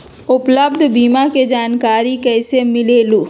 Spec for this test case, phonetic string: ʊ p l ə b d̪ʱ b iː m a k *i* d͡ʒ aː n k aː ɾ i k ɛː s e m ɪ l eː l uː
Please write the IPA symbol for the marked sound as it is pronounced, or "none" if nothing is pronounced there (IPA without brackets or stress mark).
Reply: e